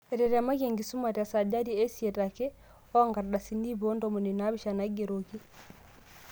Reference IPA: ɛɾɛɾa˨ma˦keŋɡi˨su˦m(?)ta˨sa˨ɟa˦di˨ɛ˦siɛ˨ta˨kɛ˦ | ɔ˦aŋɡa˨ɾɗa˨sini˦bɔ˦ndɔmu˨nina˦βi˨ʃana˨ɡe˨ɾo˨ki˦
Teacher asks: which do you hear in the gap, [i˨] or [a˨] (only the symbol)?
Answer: a˨